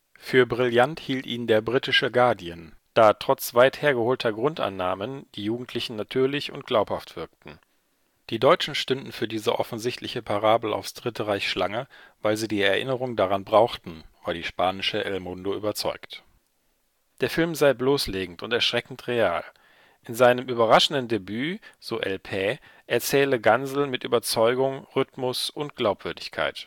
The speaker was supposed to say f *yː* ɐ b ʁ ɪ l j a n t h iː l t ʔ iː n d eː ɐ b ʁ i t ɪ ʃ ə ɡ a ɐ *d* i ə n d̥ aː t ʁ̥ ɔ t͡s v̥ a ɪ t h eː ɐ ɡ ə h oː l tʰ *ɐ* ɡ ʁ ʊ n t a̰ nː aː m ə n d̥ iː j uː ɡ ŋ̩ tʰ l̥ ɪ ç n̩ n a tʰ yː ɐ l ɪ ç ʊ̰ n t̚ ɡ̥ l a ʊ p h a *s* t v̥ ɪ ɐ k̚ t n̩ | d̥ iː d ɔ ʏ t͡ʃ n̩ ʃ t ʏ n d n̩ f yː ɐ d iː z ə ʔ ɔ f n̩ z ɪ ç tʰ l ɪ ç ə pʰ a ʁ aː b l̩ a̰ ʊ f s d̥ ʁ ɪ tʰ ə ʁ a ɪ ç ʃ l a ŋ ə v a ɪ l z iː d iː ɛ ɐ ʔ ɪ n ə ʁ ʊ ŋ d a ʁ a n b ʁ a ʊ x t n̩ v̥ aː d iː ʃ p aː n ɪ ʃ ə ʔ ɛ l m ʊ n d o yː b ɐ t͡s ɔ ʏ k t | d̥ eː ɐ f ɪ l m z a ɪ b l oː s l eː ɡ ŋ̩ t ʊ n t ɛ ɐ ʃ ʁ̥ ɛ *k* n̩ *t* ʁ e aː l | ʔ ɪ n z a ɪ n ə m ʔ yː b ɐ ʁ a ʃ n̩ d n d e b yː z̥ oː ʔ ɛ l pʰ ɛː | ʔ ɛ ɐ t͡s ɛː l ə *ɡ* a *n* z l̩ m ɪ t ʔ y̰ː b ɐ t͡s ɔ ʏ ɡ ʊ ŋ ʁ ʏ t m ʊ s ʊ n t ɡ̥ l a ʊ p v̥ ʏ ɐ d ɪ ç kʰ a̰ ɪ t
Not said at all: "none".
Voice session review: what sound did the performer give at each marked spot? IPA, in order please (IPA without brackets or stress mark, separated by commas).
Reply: yː, d, ɐ, f, k, t, ɡ, n